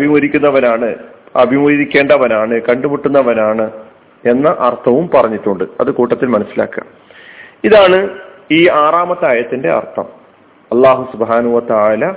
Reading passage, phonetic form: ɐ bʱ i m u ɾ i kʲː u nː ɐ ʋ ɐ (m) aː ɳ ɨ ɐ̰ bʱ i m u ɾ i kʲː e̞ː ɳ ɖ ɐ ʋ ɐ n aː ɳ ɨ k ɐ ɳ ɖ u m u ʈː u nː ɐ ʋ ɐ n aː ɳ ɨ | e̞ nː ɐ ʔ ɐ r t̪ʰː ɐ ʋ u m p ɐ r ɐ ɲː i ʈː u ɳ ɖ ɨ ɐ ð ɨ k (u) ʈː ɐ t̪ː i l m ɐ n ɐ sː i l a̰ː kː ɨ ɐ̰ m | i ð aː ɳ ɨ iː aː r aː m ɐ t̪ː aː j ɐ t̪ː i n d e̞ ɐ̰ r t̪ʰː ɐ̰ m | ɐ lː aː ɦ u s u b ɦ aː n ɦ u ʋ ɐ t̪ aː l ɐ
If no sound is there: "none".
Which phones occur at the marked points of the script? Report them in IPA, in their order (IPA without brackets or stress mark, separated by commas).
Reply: n, uː